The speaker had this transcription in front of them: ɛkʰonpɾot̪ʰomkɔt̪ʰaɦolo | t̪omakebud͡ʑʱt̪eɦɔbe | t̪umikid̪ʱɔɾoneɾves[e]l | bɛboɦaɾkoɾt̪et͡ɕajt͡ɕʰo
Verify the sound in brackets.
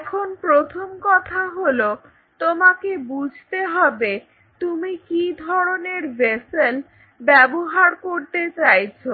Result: correct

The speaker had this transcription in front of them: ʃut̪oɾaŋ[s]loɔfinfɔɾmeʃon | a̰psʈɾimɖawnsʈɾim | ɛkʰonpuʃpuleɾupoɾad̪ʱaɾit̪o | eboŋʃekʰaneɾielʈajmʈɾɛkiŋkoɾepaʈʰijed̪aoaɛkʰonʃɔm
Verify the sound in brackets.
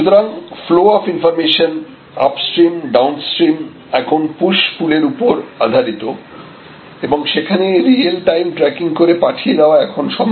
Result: incorrect: f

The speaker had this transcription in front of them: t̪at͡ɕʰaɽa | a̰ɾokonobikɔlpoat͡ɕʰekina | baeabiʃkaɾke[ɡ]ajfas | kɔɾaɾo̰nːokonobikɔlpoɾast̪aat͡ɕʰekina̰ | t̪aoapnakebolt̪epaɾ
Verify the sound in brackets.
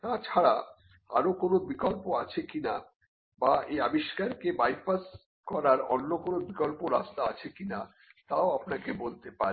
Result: incorrect: b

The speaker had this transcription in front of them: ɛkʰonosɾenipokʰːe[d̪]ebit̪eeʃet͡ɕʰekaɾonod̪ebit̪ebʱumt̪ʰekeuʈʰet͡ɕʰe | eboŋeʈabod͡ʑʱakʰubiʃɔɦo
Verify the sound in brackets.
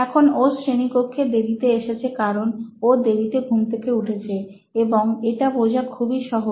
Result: correct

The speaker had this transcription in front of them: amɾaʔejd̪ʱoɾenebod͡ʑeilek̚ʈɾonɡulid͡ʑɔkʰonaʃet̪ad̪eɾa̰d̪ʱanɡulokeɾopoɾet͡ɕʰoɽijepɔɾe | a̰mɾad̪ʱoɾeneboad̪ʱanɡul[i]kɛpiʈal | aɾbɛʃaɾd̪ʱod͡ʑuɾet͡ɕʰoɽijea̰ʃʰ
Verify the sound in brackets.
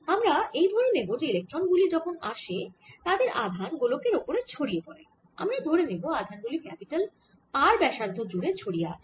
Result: correct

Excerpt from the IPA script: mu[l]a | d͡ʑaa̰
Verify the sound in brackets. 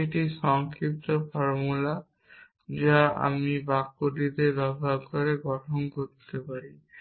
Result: correct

